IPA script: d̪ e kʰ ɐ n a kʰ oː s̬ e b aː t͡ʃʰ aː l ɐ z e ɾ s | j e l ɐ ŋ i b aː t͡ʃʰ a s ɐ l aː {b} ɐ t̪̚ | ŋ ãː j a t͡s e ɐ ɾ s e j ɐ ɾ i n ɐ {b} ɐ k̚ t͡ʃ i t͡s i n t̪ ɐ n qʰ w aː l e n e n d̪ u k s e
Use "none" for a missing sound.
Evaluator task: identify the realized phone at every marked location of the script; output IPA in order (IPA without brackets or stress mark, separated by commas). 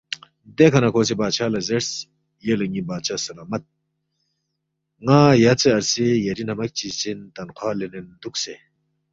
m, m